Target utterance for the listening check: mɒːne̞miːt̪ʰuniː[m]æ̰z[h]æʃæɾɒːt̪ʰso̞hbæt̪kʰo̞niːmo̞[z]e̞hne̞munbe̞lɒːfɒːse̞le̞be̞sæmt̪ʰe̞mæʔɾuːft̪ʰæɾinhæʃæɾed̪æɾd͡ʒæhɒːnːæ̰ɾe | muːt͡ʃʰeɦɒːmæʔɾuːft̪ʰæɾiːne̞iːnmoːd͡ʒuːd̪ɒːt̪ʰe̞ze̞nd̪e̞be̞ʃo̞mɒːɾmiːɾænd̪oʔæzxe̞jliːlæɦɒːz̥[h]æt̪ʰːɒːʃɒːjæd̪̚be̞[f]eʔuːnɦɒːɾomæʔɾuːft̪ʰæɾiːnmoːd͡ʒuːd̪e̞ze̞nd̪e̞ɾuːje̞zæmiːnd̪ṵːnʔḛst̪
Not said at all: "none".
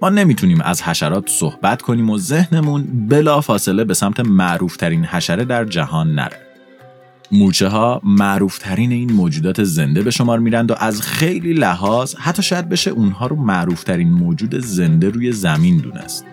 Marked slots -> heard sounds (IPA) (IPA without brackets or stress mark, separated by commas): m, h, z, h, ʃ